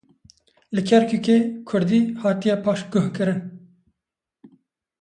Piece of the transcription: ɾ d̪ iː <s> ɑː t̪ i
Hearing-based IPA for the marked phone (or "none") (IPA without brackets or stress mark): h